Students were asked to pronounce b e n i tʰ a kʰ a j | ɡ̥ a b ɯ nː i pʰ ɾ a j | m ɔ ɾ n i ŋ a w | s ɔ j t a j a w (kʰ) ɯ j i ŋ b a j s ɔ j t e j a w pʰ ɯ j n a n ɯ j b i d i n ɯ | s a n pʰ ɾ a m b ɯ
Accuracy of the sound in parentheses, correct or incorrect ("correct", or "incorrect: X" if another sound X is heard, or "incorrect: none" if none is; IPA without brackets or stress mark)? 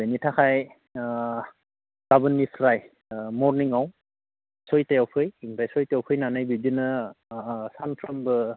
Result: incorrect: pʰ